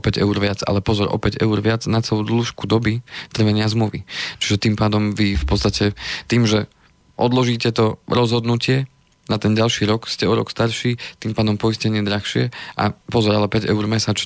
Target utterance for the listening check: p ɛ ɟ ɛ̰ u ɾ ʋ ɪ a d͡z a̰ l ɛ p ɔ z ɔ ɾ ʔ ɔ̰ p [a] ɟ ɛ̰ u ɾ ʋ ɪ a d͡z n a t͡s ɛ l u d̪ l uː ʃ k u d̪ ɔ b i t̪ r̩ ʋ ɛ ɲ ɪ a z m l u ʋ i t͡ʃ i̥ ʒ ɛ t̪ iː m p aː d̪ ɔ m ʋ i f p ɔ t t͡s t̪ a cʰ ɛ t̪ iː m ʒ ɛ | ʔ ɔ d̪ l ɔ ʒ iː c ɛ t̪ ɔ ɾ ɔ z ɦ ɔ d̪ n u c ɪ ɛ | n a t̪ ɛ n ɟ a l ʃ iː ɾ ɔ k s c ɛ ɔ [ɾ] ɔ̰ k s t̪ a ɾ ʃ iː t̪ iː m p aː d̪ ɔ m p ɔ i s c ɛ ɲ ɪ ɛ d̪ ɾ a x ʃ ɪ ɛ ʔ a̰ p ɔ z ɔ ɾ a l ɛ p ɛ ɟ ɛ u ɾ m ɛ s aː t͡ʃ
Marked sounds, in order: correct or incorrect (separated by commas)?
incorrect, correct